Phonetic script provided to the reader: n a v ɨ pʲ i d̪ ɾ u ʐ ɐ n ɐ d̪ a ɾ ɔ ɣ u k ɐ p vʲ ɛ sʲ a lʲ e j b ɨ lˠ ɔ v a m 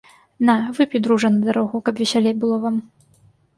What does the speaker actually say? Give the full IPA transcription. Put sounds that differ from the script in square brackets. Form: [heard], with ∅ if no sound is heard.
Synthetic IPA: n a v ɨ pʲ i d̪ ɾ u ʐ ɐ n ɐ d̪ a ɾ ɔ ɣ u k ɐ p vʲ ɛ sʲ a lʲ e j b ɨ lˠ ɔ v a m